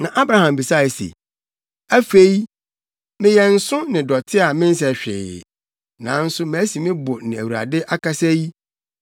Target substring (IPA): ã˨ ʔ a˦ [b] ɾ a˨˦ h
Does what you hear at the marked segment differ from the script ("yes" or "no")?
no